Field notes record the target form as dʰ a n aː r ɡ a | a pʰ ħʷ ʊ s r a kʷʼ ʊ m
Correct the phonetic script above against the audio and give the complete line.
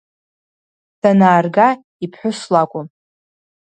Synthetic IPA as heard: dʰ a n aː r ɡ a | i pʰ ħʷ ʊ s l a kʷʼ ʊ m